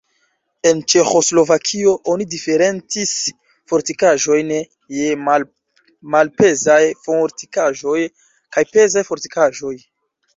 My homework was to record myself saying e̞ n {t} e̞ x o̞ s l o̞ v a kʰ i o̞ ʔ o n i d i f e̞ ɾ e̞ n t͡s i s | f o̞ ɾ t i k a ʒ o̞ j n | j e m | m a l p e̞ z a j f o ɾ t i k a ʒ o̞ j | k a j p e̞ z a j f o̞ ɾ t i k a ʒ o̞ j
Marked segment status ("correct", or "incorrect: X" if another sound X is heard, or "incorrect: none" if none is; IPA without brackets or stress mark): incorrect: t͡ʃ